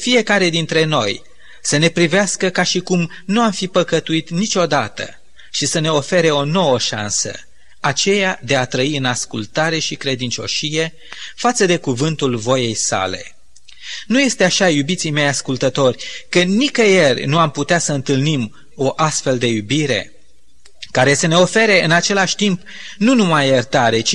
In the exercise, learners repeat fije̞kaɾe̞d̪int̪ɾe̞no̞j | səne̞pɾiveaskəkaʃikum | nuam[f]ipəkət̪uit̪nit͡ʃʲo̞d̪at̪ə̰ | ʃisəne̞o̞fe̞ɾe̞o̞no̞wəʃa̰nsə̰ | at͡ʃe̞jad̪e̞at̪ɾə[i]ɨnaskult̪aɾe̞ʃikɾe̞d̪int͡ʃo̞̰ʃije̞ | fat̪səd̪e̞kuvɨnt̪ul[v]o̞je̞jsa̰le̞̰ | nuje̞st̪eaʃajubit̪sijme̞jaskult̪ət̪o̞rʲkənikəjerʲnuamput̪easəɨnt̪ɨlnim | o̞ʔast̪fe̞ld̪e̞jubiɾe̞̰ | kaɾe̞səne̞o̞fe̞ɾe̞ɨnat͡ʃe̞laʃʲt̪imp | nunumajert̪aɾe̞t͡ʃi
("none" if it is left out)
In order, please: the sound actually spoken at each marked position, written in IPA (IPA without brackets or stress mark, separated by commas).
f, i, v